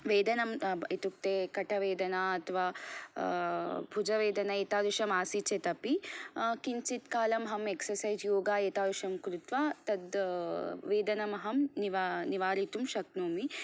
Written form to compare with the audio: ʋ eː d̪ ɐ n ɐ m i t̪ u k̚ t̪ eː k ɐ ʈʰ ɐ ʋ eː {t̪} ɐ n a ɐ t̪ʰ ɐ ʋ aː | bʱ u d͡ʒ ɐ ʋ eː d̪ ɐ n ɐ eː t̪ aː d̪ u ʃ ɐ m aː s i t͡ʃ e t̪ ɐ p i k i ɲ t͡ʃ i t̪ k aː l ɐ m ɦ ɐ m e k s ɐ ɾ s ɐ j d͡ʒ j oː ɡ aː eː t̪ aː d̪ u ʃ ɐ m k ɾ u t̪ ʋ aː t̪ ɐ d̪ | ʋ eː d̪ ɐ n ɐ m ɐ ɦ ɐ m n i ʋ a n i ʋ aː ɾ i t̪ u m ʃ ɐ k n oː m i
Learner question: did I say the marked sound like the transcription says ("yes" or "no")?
no